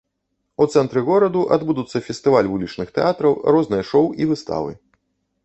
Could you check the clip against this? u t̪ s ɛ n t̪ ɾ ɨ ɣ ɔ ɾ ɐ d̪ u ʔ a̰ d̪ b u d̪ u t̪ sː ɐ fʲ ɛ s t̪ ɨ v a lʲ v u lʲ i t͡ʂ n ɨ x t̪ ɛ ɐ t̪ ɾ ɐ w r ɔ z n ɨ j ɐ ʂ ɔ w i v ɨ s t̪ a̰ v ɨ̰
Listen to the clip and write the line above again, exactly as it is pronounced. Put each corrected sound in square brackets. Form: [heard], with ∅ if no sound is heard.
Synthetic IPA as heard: u t̪ s ɛ n t̪ ɾ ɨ ɣ ɔ ɾ ɐ d̪ u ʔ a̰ d̪ b u d̪ u t̪ sː ɐ fʲ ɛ s t̪ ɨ v a lʲ v u lʲ i t͡ʂ n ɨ x t̪ ɛ [a] t̪ ɾ ɐ w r ɔ z n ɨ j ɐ ʂ ɔ w i v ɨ s t̪ a̰ v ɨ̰

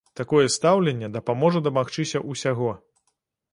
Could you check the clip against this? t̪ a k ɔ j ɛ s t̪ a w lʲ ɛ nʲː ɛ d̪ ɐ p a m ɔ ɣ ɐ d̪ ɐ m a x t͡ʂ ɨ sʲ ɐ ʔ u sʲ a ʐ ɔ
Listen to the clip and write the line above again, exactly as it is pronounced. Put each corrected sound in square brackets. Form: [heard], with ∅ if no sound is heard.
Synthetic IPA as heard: t̪ a k ɔ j ɛ s t̪ a w lʲ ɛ nʲː ɛ d̪ ɐ p a m ɔ [ʐ] ɐ d̪ ɐ m a x t͡ʂ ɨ sʲ ɐ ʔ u sʲ a [ɣ] ɔ

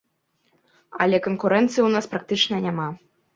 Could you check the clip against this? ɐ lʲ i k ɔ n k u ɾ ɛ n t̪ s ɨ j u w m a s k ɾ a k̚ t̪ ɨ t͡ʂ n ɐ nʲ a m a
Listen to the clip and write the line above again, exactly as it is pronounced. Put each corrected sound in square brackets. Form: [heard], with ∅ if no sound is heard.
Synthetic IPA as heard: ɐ lʲ [ɛ] k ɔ n k u ɾ ɛ n t̪ s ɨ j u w [n] a s [p] ɾ a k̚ t̪ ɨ t͡ʂ n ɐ nʲ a m a

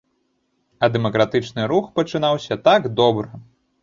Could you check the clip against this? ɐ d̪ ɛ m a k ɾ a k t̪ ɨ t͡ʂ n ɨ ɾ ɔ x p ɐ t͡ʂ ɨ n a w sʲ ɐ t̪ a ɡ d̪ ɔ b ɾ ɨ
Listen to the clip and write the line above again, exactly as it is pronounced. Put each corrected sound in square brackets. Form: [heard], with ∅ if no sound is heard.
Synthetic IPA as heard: ɐ d̪ ɛ m [ɐ] k ɾ a [∅] t̪ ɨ t͡ʂ n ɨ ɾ [u] x p ɐ t͡ʂ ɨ n a w sʲ ɐ t̪ a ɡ d̪ ɔ b ɾ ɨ

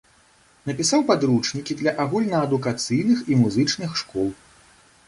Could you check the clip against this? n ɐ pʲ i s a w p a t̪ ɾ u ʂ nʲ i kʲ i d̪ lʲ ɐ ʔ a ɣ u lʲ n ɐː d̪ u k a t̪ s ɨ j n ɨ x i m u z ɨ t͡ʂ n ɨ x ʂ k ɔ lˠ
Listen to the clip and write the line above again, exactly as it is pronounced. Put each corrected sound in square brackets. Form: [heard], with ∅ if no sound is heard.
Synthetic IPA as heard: n ɐ pʲ i s a w p a [d̪] ɾ u [t͡ʂ] nʲ i kʲ i d̪ lʲ ɐ ʔ a ɣ u lʲ n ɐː d̪ u k a t̪ s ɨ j n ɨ x i m u z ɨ t͡ʂ n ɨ x ʂ k ɔ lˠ

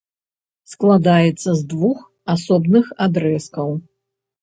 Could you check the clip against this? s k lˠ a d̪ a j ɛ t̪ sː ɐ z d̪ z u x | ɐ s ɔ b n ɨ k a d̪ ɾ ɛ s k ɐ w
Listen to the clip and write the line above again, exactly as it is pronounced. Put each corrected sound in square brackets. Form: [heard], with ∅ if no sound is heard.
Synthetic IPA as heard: s k lˠ a d̪ a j ɛ t̪ sː ɐ z d̪ [v] u x | [a] s ɔ b n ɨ [x] a d̪ ɾ ɛ s k ɐ w

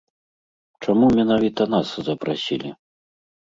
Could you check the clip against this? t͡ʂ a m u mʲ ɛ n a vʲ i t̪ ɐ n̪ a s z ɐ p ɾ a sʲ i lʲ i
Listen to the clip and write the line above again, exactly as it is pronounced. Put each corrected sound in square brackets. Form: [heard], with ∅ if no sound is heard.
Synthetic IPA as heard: t͡ʂ a m u mʲ ɛ n a vʲ i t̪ ɐ n̪ a s z ɐ p ɾ a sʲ i lʲ i

